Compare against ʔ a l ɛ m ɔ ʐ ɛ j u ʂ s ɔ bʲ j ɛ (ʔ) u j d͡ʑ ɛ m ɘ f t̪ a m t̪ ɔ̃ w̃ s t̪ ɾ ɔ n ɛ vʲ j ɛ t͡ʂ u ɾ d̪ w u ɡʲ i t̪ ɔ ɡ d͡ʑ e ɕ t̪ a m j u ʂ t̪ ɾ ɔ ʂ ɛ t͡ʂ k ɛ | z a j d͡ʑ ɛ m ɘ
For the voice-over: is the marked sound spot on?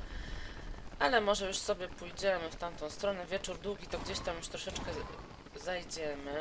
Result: no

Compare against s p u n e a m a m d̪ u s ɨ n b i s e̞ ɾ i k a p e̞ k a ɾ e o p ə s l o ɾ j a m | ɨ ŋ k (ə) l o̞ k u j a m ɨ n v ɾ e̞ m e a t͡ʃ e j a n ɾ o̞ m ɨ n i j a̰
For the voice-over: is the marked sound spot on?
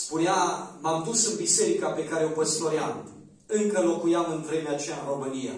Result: yes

